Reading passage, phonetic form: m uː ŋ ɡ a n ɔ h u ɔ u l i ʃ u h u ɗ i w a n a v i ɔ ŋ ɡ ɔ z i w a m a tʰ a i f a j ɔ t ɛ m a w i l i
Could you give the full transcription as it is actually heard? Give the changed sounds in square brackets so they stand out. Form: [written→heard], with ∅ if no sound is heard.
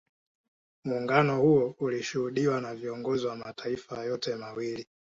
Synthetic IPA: m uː ŋ ɡ a n ɔ h u ɔ u l i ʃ u h u ɗ i w a n a v i ɔ ŋ ɡ ɔ z i w a m a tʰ a i f a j ɔ t ɛ m a w i l i